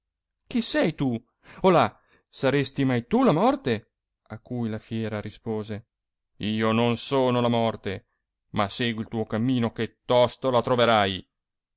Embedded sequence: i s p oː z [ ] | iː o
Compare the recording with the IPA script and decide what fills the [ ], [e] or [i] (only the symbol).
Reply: e